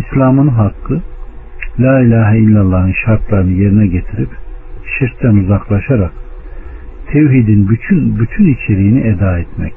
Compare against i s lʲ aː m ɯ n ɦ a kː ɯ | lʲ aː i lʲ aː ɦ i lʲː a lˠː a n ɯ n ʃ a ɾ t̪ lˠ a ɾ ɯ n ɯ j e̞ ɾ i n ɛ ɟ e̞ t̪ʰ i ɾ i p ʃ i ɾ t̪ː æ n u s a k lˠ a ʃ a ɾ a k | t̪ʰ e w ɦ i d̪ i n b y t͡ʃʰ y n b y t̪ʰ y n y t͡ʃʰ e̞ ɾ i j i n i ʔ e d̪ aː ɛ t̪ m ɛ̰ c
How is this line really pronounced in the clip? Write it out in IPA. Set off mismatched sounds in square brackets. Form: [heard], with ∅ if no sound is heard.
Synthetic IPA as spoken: i s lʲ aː m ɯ n ɦ a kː ɯ | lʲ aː i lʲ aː ɦ i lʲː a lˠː a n ɯ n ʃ a ɾ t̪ lˠ a ɾ ɯ n ɯ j e̞ ɾ i n ɛ ɟ e̞ t̪ʰ i ɾ i p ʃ i ɾ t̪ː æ n u [z] a k lˠ a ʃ a ɾ a k | t̪ʰ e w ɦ i d̪ i n b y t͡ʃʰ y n b y t̪ʰ y n [i] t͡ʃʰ e̞ ɾ i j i n i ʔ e d̪ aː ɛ t̪ m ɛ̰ c